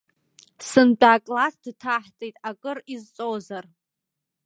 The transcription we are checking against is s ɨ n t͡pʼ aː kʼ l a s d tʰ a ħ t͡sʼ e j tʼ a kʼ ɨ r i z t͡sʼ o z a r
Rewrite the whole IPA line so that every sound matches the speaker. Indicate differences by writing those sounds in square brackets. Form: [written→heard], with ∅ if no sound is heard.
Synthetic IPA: s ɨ n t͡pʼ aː kʼ l a s d tʰ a ħ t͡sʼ e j tʼ a kʼ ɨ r i z t͡sʼ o z a r